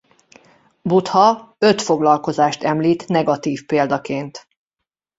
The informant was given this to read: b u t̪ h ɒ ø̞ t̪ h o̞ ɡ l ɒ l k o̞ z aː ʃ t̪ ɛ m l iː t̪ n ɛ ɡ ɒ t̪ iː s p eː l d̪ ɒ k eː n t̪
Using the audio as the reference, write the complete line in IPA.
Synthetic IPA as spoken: b u t̪ h ɒ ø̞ t̪ f o̞ ɡ l ɒ l k o̞ z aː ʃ t̪ ɛ m l iː t̪ n ɛ ɡ ɒ t̪ iː f p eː l d̪ ɒ k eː n t̪